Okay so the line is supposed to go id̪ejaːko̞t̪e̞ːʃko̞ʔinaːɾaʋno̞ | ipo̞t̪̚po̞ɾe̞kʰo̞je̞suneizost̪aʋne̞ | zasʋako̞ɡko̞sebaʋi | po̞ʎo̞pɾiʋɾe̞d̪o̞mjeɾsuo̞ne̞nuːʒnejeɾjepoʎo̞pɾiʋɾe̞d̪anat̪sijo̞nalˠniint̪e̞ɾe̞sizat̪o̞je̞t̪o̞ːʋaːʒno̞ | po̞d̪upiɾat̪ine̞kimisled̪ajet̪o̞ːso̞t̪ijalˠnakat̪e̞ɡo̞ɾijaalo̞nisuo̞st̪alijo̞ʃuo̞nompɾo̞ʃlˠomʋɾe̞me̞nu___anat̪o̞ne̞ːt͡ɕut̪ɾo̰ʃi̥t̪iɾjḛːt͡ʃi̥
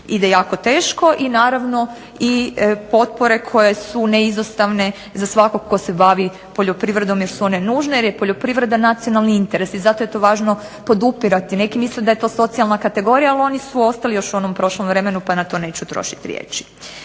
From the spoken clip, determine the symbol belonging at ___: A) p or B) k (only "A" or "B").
A